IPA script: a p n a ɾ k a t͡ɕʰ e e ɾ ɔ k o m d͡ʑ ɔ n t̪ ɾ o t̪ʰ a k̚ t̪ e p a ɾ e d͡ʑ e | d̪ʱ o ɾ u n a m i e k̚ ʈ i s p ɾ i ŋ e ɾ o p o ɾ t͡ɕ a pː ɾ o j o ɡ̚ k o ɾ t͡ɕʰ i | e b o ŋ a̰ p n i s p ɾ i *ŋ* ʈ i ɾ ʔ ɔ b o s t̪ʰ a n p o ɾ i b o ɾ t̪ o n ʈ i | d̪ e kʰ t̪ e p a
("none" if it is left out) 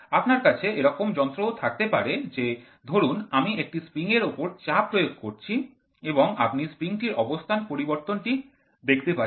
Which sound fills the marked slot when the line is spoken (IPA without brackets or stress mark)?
ŋ